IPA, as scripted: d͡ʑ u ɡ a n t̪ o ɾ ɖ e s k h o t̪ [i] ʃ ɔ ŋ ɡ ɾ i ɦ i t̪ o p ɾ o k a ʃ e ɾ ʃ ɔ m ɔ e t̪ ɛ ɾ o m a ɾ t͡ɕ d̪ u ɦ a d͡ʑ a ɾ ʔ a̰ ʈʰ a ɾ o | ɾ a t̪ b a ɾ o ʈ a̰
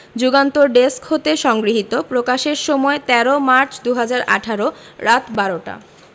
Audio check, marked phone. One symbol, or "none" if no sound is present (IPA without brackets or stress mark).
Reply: e